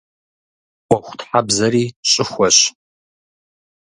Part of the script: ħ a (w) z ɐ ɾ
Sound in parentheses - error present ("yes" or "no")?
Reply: yes